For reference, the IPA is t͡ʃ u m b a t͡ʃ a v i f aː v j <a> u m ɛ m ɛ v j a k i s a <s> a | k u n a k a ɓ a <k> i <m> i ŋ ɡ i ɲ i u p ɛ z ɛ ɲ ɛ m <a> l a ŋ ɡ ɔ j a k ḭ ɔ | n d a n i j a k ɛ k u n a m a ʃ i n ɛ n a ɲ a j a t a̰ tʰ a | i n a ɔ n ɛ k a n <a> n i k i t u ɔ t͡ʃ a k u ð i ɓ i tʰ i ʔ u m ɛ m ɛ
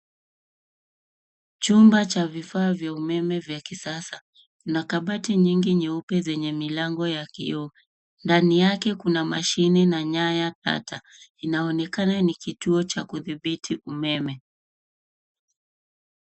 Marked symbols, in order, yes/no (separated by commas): yes, yes, no, no, no, yes